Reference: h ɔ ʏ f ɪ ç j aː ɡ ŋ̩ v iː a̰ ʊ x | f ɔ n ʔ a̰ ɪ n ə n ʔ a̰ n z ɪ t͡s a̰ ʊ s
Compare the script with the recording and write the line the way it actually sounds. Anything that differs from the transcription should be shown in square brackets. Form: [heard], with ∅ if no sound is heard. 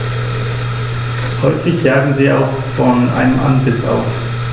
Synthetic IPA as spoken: h ɔ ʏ f ɪ ç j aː ɡ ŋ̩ [z] iː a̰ ʊ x | f ɔ n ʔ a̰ ɪ n ə [m] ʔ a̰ n z ɪ t͡s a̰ ʊ s